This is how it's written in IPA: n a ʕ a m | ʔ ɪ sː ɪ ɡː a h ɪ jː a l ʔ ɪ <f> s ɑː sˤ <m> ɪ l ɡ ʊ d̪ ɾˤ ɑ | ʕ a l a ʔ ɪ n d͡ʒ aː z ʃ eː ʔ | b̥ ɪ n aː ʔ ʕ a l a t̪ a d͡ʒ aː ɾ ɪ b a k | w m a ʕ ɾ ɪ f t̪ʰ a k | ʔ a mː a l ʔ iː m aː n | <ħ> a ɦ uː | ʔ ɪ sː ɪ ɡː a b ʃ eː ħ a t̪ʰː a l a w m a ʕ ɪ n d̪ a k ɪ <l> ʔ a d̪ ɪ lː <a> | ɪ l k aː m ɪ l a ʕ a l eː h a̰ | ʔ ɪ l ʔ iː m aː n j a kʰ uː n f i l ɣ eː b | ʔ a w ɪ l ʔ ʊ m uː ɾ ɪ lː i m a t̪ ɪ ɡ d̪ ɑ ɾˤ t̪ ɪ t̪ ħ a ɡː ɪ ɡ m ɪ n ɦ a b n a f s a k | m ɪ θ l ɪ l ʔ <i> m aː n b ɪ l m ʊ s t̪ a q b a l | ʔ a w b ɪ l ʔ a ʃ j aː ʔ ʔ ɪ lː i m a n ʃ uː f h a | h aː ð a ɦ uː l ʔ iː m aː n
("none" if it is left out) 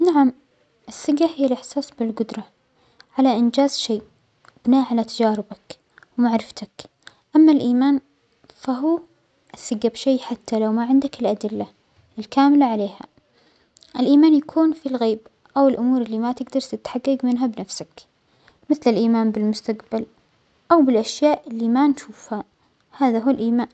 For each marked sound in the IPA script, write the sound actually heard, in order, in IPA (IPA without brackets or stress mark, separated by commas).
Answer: ħ, b, f, l, a, iː